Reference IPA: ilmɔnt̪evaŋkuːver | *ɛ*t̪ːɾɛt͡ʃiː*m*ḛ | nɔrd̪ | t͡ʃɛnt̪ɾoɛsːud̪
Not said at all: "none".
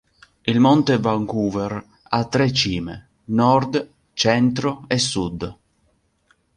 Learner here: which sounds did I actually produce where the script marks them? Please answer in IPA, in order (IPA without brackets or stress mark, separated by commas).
a, m